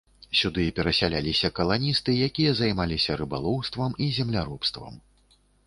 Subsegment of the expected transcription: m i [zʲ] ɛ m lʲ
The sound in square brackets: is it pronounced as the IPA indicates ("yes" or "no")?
yes